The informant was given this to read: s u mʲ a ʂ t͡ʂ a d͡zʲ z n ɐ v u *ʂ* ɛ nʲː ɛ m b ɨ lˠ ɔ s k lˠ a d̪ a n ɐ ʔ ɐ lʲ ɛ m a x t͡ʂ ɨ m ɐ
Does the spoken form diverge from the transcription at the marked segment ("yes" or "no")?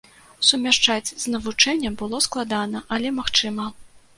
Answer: yes